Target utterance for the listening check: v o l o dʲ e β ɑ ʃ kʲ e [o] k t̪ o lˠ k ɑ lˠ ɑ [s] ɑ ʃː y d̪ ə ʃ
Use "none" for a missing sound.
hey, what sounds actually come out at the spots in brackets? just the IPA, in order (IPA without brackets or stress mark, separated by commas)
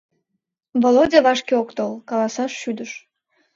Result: o, s